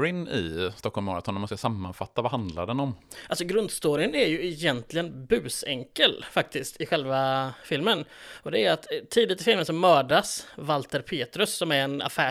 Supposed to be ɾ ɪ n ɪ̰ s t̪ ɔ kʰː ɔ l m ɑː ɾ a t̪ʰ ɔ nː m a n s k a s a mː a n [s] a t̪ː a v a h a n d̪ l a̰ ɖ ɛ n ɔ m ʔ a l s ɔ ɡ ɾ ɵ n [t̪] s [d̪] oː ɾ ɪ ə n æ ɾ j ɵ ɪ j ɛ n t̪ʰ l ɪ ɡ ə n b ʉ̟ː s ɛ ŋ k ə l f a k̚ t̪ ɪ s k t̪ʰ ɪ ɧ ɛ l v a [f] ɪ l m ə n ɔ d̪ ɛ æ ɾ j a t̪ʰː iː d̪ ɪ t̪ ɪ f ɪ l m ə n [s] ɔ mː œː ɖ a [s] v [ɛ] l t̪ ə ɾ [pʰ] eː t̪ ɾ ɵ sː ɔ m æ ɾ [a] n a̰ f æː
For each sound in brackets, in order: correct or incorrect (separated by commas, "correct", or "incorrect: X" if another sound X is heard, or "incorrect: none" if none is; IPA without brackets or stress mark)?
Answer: incorrect: f, incorrect: d̪, incorrect: t̪, correct, correct, correct, incorrect: a, correct, incorrect: ɛ